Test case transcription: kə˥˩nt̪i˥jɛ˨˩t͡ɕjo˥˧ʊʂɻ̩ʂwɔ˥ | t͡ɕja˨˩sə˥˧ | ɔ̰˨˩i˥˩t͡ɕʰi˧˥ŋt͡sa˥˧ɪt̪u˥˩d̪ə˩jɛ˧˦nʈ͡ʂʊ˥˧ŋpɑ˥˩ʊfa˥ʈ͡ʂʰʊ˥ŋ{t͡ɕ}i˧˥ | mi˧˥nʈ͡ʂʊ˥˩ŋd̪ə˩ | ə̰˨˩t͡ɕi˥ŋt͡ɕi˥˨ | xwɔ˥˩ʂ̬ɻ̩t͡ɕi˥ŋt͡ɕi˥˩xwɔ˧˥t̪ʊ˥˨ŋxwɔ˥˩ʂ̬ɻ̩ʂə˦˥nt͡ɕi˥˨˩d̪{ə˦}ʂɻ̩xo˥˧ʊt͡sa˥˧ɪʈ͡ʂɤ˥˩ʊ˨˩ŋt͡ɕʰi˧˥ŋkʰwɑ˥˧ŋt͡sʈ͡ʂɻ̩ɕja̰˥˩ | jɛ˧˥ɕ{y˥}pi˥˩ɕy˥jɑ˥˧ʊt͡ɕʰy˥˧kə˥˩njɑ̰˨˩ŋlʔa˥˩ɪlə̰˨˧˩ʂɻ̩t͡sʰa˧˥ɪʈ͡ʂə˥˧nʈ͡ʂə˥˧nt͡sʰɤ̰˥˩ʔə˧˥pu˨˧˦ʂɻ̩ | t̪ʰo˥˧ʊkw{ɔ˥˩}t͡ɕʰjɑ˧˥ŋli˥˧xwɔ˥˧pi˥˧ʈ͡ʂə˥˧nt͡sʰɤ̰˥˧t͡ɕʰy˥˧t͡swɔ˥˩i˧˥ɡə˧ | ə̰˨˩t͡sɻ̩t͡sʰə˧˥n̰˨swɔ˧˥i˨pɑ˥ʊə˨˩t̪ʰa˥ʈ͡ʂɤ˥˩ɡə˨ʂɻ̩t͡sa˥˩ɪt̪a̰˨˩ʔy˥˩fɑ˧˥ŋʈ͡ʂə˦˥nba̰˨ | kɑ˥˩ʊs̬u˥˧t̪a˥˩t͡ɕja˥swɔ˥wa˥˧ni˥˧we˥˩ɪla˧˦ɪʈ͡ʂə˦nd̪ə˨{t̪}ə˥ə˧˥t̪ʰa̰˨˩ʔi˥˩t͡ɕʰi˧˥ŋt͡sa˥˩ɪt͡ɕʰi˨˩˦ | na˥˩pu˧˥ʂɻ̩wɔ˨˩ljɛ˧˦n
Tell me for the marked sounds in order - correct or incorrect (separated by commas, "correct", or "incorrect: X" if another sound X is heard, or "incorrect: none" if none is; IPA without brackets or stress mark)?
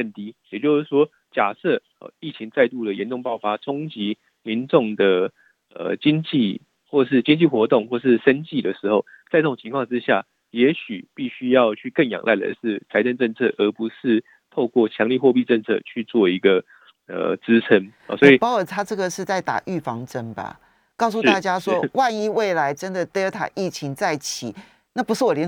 correct, incorrect: ə˩, incorrect: y˨˩, correct, correct